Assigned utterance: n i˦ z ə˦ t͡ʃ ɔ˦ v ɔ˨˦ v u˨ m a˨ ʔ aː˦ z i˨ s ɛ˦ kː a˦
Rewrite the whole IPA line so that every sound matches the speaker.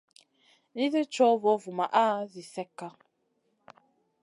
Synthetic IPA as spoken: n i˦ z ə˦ t͡ʃ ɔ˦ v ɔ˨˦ v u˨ m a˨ ʔ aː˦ z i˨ s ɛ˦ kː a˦